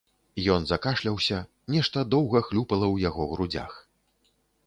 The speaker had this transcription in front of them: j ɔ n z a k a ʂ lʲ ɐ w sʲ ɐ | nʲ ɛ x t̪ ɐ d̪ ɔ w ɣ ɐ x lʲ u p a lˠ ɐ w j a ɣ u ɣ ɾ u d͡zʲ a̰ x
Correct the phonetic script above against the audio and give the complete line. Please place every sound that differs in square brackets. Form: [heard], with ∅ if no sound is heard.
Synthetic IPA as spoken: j ɔ n z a k a ʂ lʲ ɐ w sʲ ɐ | nʲ ɛ [ʂ] t̪ ɐ d̪ ɔ w ɣ ɐ x lʲ u p [ɐ] lˠ ɐ w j a ɣ [ɔ] ɣ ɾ u d͡zʲ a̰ x